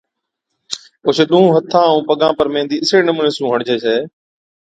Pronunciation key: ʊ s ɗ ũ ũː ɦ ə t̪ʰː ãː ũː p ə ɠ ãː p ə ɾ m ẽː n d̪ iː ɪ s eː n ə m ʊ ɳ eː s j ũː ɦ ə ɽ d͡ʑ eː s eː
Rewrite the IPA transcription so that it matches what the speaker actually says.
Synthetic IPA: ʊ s ɗ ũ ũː ɦ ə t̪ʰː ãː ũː p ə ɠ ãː p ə ɾ m ẽː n d̪ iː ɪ s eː n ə m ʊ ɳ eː s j ũː ɦ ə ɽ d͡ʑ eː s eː